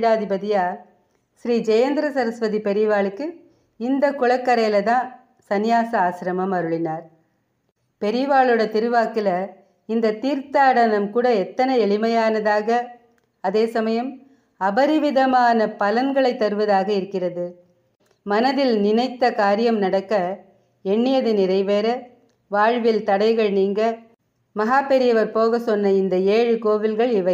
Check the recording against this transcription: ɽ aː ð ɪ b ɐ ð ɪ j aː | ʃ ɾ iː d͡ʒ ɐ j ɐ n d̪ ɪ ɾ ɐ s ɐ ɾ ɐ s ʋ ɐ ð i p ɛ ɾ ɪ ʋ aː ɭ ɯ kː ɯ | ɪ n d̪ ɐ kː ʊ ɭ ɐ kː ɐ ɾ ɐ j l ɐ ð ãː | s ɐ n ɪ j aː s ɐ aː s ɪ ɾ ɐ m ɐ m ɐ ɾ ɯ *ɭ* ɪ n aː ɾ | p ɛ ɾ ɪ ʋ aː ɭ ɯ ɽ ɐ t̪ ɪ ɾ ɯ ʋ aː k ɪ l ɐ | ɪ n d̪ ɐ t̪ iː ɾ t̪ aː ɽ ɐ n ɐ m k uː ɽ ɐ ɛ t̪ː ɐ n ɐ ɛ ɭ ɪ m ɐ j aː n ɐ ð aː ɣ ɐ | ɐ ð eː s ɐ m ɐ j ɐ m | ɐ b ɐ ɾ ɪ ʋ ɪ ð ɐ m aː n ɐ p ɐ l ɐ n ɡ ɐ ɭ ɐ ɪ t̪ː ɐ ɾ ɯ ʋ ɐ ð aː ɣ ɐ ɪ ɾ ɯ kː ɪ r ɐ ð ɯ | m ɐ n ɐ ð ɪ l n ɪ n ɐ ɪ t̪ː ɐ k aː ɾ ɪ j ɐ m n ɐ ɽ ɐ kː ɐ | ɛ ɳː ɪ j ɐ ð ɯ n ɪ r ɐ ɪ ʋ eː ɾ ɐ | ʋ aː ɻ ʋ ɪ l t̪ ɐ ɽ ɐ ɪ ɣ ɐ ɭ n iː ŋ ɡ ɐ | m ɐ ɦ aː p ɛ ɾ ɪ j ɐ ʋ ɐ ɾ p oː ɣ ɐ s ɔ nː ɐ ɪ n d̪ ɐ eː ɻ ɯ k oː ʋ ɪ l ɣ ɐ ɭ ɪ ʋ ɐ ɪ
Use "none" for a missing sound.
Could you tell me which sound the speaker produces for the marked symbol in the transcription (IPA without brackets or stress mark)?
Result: ɭ